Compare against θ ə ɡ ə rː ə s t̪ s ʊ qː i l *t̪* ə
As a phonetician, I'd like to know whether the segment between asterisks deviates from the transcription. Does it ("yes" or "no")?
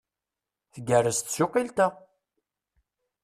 no